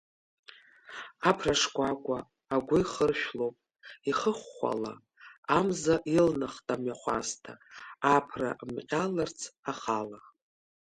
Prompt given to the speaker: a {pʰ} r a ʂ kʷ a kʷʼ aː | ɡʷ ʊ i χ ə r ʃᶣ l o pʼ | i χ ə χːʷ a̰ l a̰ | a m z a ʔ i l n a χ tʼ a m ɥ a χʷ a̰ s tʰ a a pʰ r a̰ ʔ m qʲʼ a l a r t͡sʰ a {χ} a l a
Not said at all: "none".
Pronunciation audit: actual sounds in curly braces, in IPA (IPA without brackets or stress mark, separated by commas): pʰ, χ